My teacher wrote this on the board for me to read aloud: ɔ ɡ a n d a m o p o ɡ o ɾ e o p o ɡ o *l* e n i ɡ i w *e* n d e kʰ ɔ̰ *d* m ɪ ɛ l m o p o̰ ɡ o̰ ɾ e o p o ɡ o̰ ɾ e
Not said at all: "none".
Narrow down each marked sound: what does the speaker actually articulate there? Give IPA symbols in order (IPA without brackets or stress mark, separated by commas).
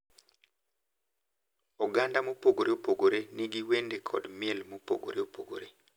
ɾ, e, d